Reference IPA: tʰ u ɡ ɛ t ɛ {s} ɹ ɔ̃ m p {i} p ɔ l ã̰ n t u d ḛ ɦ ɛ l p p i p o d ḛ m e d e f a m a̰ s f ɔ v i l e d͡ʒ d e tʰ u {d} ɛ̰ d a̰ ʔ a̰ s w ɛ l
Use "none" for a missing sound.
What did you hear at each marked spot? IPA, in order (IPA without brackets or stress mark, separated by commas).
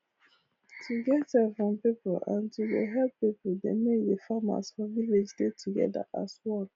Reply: f, i, ɡ